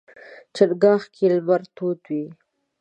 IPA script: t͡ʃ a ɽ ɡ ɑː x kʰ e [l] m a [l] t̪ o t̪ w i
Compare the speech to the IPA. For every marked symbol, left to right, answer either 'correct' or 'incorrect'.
correct, incorrect

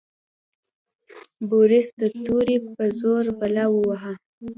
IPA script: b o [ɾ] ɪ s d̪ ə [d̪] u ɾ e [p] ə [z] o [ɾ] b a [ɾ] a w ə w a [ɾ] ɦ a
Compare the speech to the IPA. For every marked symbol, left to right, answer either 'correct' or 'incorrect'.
correct, incorrect, correct, correct, correct, incorrect, incorrect

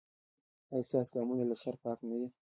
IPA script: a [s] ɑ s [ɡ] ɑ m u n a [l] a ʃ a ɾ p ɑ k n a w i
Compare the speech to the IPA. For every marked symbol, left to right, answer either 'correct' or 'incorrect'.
correct, correct, correct

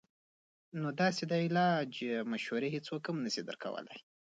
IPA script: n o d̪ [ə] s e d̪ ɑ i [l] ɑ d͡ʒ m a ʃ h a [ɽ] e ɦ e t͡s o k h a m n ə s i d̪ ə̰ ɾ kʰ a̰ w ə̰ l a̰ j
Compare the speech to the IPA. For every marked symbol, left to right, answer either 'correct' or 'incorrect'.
incorrect, correct, incorrect

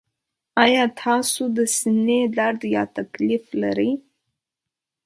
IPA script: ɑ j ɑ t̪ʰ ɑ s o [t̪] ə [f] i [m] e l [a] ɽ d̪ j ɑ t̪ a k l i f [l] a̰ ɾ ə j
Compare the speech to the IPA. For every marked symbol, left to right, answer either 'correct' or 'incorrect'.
incorrect, incorrect, incorrect, correct, correct

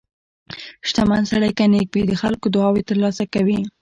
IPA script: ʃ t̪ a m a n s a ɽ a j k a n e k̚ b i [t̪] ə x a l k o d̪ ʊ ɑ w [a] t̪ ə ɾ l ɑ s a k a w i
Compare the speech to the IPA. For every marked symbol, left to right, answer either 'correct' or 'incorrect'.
incorrect, incorrect

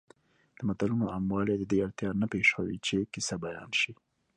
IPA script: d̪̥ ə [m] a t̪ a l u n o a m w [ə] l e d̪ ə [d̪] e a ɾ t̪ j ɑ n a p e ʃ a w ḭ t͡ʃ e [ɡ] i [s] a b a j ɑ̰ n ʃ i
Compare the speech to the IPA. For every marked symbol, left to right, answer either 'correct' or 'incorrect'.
correct, incorrect, correct, incorrect, correct

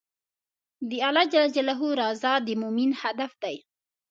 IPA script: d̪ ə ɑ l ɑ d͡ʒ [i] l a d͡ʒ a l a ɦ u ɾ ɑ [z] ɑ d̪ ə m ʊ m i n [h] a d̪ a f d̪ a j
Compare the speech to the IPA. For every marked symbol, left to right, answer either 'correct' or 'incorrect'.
incorrect, correct, correct

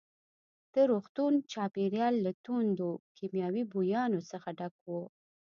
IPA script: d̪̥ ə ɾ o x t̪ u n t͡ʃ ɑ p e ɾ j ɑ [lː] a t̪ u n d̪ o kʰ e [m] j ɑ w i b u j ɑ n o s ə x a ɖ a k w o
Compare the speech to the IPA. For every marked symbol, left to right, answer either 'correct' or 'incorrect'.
correct, correct

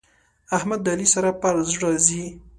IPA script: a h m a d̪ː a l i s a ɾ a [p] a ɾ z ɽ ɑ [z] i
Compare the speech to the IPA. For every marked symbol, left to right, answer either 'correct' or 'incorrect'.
correct, correct

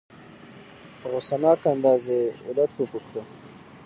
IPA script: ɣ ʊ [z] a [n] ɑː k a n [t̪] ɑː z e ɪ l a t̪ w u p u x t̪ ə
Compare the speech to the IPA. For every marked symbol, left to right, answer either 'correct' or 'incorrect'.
incorrect, correct, incorrect

